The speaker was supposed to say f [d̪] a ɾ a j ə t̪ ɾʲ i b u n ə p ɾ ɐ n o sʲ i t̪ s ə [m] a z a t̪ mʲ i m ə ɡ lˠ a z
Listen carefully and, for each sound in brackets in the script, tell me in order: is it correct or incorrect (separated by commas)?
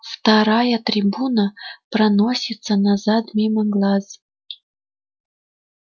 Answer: incorrect, incorrect